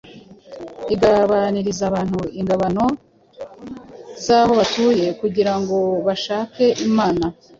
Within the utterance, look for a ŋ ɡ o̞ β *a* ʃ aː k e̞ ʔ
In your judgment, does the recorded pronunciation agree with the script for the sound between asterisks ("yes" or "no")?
yes